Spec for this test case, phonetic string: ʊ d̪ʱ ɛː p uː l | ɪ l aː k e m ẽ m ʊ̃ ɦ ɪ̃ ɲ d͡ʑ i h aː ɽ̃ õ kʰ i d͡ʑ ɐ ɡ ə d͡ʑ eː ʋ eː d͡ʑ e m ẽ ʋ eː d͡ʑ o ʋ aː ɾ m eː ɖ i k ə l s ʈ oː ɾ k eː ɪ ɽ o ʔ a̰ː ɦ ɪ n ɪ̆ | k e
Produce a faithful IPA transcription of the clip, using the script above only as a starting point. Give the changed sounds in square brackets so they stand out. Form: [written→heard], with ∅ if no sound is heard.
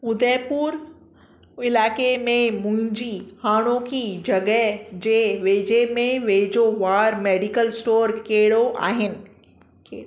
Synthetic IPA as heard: ʊ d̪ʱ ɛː p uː [l→ɾ] | ɪ l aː k e m ẽ m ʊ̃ ɦ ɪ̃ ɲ d͡ʑ i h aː ɽ̃ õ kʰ i d͡ʑ ɐ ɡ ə d͡ʑ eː ʋ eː d͡ʑ e m ẽ ʋ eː d͡ʑ o ʋ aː ɾ m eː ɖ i k ə l s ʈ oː ɾ k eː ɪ ɽ o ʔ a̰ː ɦ ɪ n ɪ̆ | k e